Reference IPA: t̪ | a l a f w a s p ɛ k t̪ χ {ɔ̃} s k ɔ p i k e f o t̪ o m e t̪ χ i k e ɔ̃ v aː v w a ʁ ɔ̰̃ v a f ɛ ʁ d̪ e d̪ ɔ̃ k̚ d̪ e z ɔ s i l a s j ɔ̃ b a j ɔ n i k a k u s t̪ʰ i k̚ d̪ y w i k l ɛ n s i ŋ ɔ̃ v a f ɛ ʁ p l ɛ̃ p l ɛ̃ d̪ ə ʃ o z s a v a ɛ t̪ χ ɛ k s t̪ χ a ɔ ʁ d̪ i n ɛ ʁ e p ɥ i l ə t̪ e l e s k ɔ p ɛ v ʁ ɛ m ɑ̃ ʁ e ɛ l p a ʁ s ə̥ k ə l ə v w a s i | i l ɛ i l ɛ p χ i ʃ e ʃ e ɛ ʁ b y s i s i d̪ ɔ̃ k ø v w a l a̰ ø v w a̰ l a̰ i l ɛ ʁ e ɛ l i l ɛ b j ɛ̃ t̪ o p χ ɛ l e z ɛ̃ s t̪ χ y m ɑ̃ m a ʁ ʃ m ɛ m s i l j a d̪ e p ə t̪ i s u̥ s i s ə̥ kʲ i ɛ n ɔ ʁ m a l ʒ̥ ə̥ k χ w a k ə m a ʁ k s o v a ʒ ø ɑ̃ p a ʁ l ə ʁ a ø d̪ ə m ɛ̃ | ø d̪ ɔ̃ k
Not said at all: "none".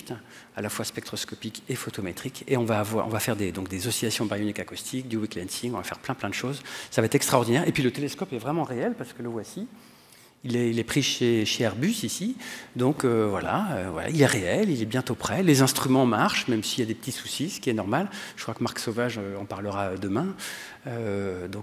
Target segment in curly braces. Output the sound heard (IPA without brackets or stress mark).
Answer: ɔ